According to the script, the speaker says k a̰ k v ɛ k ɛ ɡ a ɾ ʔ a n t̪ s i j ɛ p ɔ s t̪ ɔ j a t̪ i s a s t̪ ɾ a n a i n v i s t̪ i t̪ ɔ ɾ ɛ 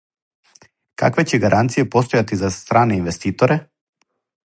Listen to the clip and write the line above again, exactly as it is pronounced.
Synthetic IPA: k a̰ k v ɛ c ɛ ɡ a ɾ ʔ a n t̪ s i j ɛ p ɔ s t̪ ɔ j a t̪ i z a s t̪ ɾ a n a i n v ɛ s t̪ i t̪ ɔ ɾ ɛ